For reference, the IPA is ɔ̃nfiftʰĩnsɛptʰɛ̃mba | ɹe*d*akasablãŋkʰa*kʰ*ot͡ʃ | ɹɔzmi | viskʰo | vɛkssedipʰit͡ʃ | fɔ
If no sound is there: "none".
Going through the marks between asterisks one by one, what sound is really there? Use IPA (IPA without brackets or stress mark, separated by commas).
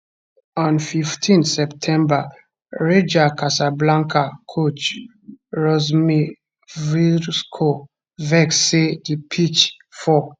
d͡ʒ, kʰ